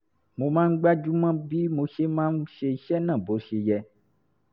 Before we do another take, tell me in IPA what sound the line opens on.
m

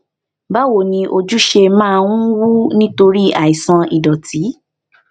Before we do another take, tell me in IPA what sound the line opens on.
b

